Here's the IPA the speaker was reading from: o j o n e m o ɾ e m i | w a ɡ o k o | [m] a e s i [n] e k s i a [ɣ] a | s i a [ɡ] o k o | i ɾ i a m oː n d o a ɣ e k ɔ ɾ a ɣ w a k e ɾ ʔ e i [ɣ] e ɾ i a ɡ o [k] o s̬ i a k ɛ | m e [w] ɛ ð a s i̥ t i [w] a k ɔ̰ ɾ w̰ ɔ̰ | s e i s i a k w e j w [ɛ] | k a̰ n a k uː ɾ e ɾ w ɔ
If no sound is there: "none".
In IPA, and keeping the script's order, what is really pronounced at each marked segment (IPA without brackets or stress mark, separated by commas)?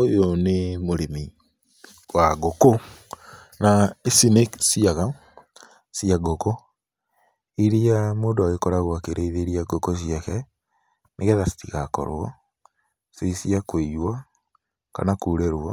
n, n, ɣ, ɡ, ð, k, ɣ, ɣ, a